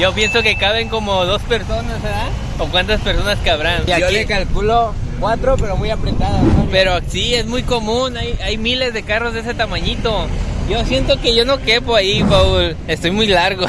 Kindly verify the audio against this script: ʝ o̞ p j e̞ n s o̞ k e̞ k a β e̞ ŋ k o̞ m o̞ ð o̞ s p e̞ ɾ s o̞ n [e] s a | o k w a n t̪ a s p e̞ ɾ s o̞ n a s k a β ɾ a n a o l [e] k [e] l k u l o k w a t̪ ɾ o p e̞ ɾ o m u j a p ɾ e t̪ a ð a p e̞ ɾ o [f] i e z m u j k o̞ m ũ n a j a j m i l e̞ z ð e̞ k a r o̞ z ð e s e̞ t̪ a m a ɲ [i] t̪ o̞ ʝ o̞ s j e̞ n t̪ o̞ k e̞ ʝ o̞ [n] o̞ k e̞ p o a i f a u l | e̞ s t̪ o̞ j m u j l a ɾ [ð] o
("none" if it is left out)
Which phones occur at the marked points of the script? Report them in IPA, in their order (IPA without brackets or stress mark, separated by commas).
a, e, a, s, i, n, ɣ